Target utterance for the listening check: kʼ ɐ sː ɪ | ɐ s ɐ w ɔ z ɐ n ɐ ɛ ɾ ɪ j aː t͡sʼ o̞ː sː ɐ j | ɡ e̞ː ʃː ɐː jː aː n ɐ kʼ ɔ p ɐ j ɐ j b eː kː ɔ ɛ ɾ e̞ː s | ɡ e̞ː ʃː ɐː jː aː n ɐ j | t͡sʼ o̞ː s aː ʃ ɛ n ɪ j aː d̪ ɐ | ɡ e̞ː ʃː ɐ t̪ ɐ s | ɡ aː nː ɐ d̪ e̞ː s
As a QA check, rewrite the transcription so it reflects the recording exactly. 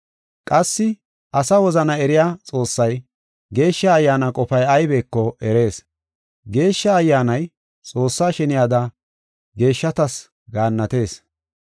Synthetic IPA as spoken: kʼ ɐ sː ɪ | ɐ s ɐ w ɔ z ɐ n ɐ ɛ ɾ ɪ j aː t͡sʼ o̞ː sː ɐ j | ɡ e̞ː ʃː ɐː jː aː n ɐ kʼ ɔ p ɐ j ɐ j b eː kː ɔ ɛ ɾ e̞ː s | ɡ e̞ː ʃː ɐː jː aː n ɐ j | t͡sʼ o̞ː sː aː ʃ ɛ n ɪ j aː d̪ ɐ | ɡ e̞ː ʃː ɐ t̪ ɐ s | ɡ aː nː ɐ t̪ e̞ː s